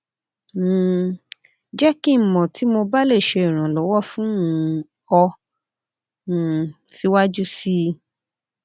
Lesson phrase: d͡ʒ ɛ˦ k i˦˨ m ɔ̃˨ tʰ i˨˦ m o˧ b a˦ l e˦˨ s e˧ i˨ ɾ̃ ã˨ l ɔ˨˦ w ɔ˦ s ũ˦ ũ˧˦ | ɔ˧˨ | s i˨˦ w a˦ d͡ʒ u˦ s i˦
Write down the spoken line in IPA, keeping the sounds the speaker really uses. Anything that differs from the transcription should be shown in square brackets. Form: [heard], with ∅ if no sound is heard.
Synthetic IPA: d͡ʒ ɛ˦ k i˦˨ m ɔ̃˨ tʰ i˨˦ m o˧ b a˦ l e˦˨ [ʃ] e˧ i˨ ɾ̃ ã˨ l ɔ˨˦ w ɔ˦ [f] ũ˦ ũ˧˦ | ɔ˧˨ | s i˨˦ w a˦ d͡ʒ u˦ s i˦